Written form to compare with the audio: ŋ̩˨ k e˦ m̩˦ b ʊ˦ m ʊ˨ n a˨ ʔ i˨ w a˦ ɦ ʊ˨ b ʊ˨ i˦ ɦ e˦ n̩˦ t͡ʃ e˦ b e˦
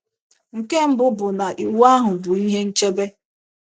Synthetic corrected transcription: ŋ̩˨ k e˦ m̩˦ b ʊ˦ b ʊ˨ n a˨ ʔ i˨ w a˦ ɦ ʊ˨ b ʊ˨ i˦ ɦ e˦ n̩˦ t͡ʃ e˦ b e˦